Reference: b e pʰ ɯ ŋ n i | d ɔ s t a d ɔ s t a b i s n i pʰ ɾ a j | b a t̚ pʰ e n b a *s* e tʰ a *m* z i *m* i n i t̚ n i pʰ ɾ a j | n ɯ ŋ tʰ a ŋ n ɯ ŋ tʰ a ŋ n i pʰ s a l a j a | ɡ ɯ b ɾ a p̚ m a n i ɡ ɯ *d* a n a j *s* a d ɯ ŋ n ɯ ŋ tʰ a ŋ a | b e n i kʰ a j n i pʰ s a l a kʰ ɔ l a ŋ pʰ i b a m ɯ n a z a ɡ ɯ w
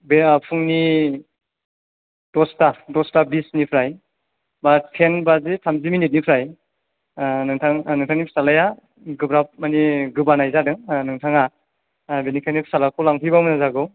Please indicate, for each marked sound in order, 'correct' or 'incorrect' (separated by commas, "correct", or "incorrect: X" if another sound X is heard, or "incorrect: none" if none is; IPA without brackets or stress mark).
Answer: incorrect: z, correct, correct, incorrect: b, incorrect: z